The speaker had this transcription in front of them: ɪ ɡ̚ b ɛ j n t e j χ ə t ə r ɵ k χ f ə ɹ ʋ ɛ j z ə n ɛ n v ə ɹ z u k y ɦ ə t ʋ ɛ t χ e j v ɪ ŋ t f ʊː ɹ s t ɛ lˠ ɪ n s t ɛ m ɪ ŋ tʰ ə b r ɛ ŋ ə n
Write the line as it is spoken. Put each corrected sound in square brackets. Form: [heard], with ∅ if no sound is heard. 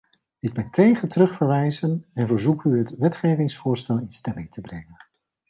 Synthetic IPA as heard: ɪ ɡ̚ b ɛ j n t e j χ ə t ə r ɵ [∅] χ f ə ɹ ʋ ɛ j z ə n ɛ n v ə ɹ z u k y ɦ ə t ʋ ɛ t χ e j v ɪ ŋ [s] f ʊː ɹ s t ɛ lˠ ɪ n s t ɛ m ɪ ŋ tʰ ə b r ɛ ŋ ə n